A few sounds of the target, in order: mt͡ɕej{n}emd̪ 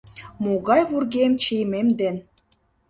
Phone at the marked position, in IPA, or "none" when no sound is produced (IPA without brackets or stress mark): m